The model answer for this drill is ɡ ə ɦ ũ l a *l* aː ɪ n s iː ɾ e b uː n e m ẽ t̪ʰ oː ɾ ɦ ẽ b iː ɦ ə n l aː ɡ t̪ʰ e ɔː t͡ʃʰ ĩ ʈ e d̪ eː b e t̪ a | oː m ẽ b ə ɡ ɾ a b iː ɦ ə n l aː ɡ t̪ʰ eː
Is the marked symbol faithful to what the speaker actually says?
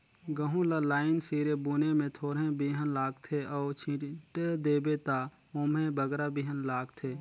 yes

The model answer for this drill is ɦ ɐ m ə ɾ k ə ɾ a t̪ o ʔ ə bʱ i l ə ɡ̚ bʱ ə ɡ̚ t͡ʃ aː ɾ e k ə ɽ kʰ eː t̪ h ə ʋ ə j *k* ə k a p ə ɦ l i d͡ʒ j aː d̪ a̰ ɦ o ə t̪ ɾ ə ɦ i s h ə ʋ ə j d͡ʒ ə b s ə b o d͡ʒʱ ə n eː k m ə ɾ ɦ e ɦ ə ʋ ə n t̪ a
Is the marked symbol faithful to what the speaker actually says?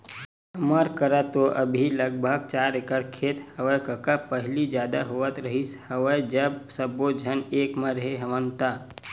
yes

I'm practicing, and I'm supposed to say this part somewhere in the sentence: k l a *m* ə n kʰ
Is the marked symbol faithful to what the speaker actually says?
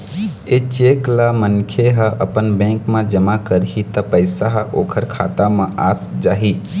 yes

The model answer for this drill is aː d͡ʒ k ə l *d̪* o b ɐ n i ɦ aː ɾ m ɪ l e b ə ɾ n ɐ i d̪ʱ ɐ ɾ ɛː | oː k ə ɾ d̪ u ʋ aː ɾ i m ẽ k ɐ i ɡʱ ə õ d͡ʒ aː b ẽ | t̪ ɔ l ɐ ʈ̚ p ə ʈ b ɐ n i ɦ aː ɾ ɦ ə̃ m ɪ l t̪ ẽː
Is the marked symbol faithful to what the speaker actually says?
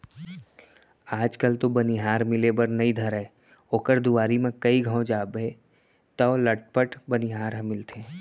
no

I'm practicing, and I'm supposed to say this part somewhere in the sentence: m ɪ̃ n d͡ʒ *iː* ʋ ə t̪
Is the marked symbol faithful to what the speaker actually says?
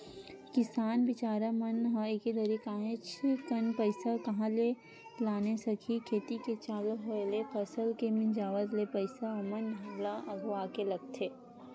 no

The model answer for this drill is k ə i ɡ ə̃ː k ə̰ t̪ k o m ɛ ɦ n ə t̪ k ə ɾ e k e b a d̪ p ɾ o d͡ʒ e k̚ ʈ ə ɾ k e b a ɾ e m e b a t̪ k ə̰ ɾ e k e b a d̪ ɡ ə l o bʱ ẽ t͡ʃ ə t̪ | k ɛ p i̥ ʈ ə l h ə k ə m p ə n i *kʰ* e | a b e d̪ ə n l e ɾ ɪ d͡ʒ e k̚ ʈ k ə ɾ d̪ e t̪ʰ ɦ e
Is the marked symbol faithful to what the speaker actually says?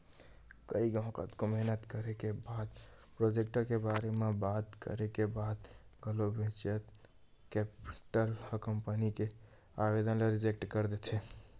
no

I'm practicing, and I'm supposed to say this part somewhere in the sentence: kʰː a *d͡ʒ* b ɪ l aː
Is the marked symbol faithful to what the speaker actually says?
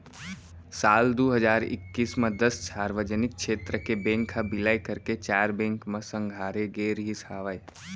no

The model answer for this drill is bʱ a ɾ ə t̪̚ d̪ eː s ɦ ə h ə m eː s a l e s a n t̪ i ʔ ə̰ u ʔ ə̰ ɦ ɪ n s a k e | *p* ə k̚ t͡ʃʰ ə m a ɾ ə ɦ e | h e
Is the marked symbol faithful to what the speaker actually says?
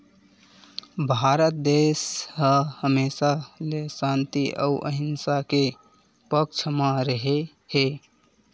yes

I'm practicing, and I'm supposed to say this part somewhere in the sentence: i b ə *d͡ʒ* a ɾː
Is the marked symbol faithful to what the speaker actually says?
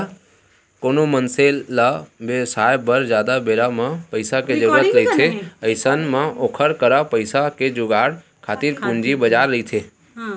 yes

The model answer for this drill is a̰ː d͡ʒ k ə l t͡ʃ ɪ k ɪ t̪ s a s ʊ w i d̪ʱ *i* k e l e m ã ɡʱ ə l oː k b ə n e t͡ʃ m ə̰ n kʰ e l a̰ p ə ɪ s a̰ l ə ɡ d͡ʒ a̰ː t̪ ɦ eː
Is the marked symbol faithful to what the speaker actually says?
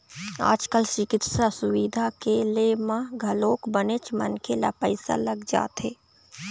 no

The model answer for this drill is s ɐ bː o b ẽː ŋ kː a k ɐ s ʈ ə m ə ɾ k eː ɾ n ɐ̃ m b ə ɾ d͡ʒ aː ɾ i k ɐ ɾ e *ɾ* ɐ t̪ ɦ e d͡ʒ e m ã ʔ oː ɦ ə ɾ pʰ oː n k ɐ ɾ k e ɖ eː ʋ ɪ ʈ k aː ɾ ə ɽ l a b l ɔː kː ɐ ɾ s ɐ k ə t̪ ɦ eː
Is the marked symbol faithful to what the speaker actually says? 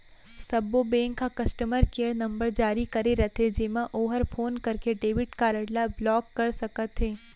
yes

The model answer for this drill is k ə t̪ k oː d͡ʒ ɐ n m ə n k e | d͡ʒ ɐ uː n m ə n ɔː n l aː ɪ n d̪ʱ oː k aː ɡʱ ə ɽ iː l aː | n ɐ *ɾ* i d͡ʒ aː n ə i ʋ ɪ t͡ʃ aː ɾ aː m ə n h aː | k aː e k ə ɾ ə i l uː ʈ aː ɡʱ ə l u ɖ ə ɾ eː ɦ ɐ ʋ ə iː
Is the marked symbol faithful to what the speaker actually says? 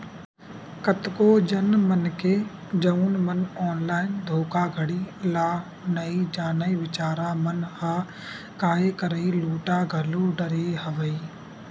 no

